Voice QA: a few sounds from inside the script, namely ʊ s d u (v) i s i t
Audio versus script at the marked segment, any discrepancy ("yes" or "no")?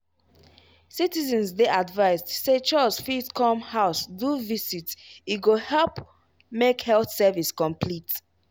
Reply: no